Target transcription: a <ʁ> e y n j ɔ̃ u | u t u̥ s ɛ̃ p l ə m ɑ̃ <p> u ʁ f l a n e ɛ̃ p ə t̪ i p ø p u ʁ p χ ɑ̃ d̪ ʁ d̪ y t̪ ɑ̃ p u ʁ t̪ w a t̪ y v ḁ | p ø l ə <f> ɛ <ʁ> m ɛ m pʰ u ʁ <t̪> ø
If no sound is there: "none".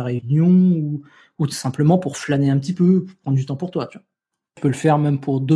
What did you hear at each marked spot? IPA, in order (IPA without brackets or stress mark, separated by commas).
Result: ʁ, p, f, ʁ, d̪